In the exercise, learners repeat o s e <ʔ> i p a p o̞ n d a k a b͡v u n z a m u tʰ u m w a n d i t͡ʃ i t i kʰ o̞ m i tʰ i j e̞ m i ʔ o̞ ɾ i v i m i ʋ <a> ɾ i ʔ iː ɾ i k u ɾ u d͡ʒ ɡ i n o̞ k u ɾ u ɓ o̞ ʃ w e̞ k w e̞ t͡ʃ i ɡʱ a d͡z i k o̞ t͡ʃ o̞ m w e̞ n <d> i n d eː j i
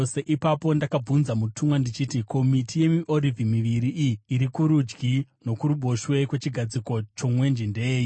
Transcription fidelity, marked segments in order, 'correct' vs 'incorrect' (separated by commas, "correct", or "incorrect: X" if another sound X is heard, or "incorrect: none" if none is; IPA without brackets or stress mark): correct, incorrect: i, incorrect: d͡ʒ